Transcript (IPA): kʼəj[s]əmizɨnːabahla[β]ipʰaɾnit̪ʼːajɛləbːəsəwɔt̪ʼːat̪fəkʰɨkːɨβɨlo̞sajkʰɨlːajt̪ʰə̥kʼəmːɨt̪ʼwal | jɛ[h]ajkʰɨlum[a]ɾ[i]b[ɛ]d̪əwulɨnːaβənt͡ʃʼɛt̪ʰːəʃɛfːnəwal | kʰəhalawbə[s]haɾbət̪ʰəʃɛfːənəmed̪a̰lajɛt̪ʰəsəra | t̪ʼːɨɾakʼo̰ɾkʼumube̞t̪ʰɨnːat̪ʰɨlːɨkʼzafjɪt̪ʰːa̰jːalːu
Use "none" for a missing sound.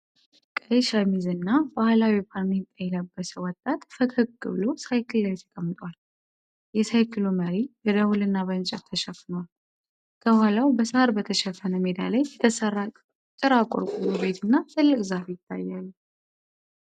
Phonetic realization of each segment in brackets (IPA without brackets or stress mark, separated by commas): ʃ, w, s, ə, i, ɛ, s